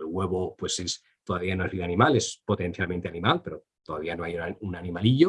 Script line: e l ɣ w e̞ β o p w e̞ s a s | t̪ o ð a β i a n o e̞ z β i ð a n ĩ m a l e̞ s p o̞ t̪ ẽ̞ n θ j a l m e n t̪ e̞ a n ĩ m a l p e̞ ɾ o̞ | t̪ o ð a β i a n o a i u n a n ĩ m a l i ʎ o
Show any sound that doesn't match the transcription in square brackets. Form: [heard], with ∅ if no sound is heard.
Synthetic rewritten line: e l ɣ w e̞ β o p w e̞ s [e] s | t̪ o ð a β i a n o e̞ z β i ð a n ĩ m a l e̞ s p o̞ t̪ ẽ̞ n θ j a l m e n t̪ e̞ a n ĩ m a l p e̞ ɾ o̞ | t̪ o ð a β i a n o a [j] u n a n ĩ m a l i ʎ o